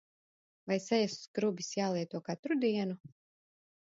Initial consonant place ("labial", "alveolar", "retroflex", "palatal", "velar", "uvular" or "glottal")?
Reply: labial